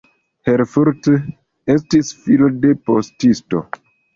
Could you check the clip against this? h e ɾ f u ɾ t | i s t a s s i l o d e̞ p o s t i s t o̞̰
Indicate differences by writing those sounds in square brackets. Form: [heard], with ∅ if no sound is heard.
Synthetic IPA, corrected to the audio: h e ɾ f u ɾ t | [e] s t [i] s [f] i l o d e̞ p o s t i s t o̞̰